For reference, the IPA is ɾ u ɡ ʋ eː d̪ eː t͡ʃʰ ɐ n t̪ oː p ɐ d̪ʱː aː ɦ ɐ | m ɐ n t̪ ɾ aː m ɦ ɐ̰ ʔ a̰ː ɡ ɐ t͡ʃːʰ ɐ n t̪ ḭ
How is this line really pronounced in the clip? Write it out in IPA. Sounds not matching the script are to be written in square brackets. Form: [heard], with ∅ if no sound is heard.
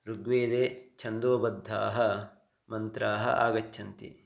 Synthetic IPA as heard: ɾ u ɡ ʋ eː d̪ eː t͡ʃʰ ɐ n [d̪] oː [b] ɐ d̪ʱː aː ɦ ɐ | m ɐ n t̪ ɾ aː [∅] ɦ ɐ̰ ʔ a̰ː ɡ ɐ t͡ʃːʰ ɐ n t̪ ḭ